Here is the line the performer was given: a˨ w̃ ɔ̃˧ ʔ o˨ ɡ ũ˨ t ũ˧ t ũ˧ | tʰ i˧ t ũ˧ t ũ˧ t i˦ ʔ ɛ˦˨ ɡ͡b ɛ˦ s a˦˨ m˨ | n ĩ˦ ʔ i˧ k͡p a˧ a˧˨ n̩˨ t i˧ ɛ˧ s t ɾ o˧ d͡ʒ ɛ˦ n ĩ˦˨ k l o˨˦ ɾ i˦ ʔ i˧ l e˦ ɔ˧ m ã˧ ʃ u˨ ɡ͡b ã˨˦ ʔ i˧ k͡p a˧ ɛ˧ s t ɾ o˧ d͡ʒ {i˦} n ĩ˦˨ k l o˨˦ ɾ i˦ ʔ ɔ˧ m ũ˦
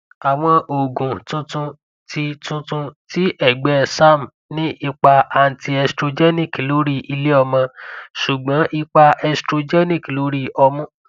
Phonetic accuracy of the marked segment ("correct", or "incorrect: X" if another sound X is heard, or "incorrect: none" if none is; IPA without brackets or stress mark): incorrect: ɛ˦